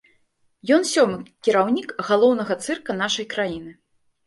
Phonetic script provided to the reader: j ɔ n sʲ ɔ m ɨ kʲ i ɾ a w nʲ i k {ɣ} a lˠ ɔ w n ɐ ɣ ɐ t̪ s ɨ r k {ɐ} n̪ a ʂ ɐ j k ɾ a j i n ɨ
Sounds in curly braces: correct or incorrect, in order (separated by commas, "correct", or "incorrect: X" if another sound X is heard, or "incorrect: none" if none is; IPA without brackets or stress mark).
correct, correct